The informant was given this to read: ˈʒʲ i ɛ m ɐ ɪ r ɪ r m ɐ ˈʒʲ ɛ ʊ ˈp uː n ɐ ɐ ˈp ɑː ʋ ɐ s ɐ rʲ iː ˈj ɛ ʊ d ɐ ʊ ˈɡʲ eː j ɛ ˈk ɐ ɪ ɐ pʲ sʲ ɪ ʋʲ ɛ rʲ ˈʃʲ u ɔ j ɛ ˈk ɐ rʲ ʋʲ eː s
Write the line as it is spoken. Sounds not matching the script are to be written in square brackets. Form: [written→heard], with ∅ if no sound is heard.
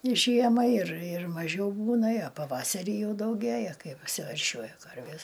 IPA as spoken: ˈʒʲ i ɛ m ɐ ɪ r ɪ r m ɐ ˈʒʲ ɛ ʊ [ˈp→ˈb] uː n ɐ ɐ ˈp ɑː ʋ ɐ s ɐ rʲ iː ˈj ɛ ʊ d ɐ ʊ ˈɡʲ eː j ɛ ˈk ɐ ɪ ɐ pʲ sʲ ɪ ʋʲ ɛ rʲ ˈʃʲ u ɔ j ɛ ˈk ɐ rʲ ʋʲ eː s